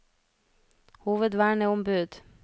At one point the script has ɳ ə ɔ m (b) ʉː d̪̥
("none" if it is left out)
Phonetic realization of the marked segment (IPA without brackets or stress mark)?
b